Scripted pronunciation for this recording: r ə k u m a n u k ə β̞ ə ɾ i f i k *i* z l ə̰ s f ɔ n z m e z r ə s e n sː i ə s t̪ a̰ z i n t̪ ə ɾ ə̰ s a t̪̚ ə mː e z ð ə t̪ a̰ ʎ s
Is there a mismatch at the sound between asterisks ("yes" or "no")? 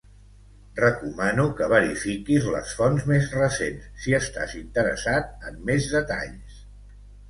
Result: no